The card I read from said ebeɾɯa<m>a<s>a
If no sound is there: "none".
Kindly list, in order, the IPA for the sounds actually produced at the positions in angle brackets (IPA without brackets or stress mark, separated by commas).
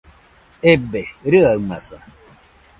m, s